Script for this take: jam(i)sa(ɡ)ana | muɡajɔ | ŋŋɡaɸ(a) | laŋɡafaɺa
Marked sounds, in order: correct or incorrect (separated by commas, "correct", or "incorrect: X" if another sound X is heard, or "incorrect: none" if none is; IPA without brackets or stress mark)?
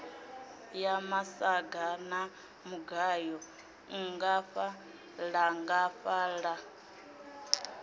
incorrect: a, correct, correct